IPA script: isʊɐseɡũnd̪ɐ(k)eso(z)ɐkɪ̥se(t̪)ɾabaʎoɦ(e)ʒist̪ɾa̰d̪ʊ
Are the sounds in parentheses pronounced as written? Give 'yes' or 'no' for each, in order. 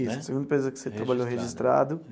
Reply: no, yes, yes, yes

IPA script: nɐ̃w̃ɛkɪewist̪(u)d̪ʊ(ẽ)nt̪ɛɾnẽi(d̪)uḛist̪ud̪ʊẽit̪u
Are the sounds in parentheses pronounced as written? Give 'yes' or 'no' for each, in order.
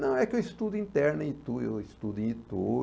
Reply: yes, no, no

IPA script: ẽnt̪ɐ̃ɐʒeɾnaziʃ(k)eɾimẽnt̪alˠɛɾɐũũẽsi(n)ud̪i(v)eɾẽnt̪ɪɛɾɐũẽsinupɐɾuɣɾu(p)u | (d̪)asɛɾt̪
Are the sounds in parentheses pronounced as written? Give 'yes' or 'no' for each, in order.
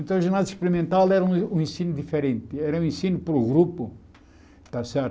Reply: no, yes, no, yes, no

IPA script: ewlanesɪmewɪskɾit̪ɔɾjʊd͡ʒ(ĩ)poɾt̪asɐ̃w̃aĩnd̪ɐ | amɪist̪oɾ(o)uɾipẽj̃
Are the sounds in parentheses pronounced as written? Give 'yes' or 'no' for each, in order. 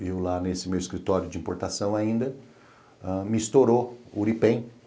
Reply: yes, yes

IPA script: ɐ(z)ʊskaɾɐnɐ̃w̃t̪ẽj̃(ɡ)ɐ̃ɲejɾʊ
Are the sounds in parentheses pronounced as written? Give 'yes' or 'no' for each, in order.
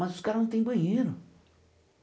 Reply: yes, no

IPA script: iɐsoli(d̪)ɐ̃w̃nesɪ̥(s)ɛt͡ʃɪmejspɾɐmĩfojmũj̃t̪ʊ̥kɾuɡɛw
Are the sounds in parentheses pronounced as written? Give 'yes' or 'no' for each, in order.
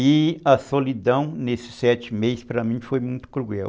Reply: yes, yes

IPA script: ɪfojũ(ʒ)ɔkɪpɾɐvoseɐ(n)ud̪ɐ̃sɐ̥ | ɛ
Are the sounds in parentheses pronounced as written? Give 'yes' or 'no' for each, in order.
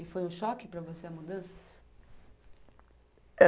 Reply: no, no

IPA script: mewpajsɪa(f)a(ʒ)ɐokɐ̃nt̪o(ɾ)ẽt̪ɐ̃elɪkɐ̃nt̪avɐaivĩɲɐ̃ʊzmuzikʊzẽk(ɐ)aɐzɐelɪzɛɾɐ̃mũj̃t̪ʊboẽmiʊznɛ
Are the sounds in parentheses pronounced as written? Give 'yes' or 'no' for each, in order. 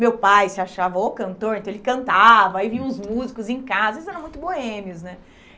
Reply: no, no, yes, no

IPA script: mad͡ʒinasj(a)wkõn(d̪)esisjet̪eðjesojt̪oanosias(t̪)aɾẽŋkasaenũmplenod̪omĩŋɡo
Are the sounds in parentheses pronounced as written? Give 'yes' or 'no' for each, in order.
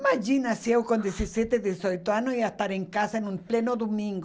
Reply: no, yes, yes

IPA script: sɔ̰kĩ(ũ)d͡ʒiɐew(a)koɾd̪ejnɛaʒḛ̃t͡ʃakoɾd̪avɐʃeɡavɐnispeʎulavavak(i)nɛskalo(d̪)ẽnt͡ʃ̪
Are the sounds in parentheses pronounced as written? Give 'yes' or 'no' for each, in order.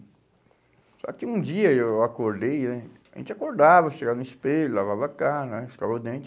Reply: yes, yes, no, yes

